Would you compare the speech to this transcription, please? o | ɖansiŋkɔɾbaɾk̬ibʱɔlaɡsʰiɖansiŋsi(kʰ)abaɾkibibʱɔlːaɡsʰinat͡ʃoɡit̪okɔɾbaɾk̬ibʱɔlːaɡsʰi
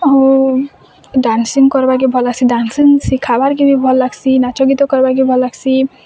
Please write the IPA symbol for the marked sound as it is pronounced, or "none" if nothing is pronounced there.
kʰ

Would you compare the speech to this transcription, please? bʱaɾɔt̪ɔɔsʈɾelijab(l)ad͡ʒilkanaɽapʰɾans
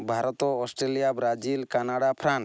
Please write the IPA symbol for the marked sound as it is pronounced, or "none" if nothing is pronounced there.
ɾ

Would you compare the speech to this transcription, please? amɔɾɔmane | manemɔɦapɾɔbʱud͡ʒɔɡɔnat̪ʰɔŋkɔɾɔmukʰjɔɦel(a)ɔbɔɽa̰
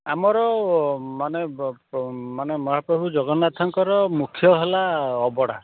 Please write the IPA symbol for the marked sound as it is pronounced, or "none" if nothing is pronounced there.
a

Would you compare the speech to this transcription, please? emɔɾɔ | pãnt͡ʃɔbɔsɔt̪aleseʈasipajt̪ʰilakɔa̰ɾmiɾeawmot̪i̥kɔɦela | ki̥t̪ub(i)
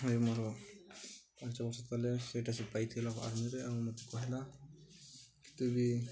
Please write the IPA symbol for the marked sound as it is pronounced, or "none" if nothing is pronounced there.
i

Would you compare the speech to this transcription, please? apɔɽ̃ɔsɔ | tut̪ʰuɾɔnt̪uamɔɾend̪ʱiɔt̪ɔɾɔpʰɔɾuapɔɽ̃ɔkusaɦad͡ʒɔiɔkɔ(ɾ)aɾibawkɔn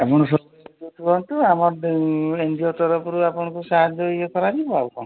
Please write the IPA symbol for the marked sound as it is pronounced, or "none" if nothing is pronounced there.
ɾ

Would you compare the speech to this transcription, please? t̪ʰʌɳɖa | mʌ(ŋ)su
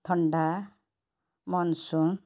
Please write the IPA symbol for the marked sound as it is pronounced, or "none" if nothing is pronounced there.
n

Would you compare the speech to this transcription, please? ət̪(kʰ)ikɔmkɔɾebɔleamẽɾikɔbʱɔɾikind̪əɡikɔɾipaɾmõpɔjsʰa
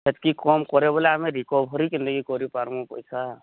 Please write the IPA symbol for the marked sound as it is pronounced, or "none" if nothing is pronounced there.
k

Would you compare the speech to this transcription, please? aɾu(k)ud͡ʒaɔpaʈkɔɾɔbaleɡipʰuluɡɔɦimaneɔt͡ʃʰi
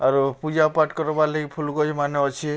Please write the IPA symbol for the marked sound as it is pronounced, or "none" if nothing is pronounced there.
p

